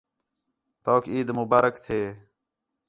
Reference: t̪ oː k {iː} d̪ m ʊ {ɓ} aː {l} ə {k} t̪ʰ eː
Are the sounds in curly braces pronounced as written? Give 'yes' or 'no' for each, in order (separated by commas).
yes, no, no, yes